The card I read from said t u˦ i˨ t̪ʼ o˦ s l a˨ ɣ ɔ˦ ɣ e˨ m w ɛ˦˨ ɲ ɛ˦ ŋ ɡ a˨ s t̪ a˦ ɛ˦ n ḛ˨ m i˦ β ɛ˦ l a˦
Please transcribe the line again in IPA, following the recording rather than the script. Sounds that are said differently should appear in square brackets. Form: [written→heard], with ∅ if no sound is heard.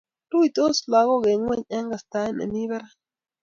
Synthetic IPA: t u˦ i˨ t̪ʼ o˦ s l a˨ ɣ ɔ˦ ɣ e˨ [m→ŋ] w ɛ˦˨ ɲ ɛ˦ ŋ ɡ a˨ s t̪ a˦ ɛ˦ n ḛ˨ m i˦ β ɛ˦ [l→ɾ] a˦